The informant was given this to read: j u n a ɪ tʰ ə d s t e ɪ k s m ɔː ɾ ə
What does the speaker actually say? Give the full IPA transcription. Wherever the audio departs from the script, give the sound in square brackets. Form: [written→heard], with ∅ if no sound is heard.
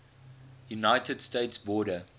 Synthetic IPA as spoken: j u n a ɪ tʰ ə d s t e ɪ [k→t] s [m→b] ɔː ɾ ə